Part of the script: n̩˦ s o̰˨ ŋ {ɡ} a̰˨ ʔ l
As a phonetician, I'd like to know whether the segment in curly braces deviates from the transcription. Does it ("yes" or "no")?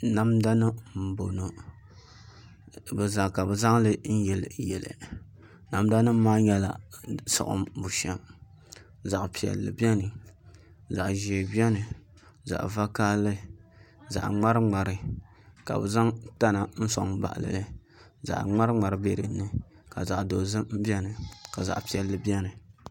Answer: yes